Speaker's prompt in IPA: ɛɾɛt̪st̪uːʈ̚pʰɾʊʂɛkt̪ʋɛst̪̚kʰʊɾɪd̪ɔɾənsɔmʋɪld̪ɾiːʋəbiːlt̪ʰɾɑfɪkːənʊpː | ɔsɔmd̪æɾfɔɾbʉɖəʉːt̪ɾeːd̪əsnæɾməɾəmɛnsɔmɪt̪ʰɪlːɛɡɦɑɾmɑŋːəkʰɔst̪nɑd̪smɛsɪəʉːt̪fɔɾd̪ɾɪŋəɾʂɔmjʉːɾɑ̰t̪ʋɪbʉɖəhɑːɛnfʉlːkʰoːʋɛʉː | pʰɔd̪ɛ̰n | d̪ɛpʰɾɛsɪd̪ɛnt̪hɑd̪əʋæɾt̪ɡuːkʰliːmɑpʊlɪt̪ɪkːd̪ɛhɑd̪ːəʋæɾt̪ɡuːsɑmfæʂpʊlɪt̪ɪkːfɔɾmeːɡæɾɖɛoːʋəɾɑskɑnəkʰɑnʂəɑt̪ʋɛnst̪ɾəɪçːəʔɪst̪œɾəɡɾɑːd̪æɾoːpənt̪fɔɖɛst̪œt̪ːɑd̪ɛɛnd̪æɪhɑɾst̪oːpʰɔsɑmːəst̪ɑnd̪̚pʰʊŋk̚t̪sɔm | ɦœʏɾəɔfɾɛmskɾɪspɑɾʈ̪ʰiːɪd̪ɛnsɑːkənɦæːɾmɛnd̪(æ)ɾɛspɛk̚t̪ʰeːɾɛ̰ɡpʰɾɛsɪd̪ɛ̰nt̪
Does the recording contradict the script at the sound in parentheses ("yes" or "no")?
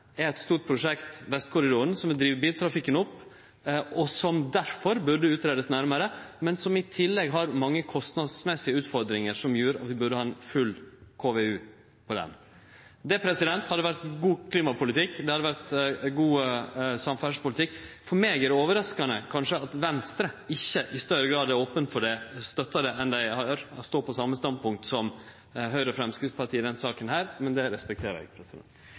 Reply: yes